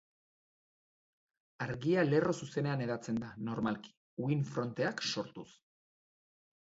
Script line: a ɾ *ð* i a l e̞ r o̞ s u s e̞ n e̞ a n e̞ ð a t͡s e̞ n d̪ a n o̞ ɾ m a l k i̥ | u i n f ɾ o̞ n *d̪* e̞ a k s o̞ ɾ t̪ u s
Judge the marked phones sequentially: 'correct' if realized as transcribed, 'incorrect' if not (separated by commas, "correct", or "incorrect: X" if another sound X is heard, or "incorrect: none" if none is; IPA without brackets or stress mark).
incorrect: ɣ, incorrect: t̪